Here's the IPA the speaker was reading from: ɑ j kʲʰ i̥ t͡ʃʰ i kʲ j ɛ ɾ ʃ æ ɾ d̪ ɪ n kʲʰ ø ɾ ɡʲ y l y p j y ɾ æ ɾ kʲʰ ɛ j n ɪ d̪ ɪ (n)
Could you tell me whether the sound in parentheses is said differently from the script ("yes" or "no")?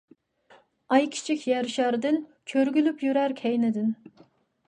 no